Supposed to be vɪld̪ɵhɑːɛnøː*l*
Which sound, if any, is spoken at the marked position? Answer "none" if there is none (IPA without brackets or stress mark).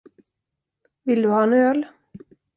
l